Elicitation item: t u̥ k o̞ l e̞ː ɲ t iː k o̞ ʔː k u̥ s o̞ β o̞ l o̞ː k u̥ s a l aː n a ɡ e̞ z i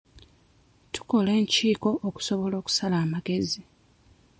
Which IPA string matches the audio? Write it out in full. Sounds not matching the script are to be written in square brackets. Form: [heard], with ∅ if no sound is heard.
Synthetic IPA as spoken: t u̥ k o̞ l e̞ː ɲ [c] iː k o̞ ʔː k u̥ s o̞ β o̞ l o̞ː k u̥ s a l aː [m] a ɡ e̞ z i